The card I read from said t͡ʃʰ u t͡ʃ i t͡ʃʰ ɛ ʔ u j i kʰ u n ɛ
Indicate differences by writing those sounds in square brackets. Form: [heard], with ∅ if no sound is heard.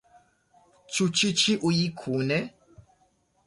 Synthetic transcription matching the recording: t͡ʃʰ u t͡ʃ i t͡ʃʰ [i] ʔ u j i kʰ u n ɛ